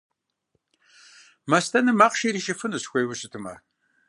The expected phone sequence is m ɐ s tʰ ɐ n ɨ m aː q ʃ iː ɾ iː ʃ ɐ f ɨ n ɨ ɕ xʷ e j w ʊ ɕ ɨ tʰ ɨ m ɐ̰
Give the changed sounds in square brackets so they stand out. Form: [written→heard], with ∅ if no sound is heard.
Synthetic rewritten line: m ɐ s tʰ ɐ n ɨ m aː q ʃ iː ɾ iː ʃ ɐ f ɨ n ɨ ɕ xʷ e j w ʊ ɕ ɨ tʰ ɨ m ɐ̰